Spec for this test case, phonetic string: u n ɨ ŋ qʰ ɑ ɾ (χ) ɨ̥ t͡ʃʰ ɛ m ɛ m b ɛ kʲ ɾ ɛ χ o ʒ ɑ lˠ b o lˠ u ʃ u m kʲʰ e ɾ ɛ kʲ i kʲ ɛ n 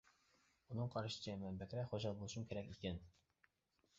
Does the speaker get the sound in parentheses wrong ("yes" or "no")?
yes